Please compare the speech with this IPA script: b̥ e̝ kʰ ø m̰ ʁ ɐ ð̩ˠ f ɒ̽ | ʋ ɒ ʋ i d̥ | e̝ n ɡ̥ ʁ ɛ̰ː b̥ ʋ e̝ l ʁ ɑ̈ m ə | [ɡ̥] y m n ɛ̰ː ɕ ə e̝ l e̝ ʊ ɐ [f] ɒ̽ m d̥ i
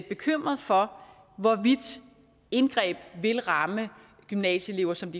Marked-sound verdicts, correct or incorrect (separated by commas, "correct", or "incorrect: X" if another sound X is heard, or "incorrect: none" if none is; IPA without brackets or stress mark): correct, incorrect: s